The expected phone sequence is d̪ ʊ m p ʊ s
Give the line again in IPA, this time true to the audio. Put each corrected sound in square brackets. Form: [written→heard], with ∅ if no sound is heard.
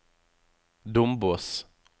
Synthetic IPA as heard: d̪ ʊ m [p→b] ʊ s